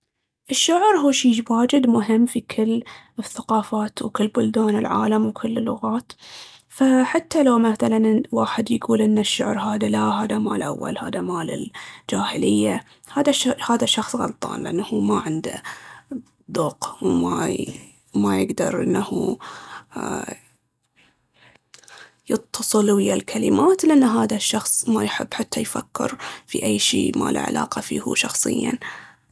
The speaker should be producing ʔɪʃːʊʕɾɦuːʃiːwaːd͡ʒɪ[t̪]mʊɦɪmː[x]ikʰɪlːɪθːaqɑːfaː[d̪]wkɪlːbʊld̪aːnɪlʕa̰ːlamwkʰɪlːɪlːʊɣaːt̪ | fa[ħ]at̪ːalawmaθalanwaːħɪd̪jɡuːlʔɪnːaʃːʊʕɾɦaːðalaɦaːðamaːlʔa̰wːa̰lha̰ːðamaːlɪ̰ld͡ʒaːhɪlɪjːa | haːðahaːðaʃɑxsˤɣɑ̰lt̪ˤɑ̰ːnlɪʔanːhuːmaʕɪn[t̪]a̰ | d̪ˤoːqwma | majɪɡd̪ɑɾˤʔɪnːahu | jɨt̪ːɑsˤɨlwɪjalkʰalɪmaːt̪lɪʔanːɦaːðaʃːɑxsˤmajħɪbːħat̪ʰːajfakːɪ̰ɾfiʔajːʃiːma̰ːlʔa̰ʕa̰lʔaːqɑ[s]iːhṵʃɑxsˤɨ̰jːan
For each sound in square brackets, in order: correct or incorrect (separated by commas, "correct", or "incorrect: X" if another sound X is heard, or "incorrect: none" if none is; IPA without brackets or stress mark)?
incorrect: d̪, incorrect: f, incorrect: t̪, correct, incorrect: d̪, incorrect: f